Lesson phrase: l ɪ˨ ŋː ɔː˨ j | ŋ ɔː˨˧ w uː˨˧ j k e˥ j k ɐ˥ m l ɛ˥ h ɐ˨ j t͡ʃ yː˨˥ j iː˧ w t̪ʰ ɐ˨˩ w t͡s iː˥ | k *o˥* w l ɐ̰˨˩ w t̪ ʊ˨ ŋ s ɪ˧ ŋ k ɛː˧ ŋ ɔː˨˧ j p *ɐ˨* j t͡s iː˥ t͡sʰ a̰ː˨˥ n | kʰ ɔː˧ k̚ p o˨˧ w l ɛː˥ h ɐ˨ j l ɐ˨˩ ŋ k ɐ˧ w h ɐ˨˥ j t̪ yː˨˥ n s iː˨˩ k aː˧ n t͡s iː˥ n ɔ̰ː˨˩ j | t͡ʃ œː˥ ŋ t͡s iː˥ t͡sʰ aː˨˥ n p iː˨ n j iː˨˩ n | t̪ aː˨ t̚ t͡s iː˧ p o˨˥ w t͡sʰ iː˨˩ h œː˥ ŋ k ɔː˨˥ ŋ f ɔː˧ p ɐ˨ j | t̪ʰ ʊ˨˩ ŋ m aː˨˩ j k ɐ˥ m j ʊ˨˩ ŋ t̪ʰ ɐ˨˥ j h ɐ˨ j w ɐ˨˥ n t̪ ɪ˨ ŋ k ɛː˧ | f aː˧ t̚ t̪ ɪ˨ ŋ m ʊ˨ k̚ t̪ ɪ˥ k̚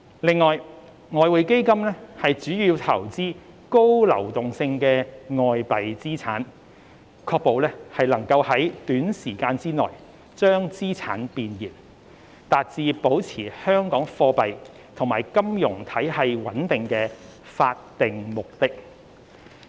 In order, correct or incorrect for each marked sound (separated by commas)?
correct, correct